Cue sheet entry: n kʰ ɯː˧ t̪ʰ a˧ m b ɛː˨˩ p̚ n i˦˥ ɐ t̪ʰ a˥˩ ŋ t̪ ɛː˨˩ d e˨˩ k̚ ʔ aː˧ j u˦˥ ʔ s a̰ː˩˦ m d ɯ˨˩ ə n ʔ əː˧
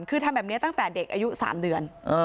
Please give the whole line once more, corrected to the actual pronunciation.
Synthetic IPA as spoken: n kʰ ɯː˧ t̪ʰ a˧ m b ɛː˨˩ p̚ n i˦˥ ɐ t̪ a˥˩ ŋ t̪ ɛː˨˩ d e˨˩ k̚ ʔ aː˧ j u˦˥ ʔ s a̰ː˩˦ m d ɯ˨˩ ə n ʔ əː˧